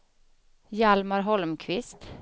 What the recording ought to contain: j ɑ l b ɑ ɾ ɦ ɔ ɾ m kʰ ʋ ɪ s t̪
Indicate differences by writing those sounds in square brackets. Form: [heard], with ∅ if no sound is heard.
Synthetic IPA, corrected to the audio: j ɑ l [m] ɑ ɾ ɦ ɔ [l] m kʰ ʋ ɪ s t̪